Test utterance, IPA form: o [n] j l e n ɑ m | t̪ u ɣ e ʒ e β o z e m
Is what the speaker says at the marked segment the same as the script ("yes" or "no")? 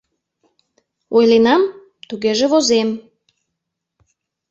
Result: no